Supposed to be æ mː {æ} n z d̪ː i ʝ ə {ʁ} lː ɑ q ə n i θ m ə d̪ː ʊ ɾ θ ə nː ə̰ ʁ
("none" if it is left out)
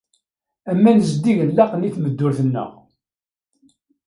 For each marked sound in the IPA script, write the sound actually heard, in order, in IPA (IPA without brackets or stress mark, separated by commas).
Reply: æ, none